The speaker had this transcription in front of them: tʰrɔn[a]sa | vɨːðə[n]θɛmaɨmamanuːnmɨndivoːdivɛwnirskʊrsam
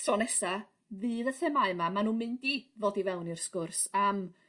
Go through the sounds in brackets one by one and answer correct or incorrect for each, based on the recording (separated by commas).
incorrect, incorrect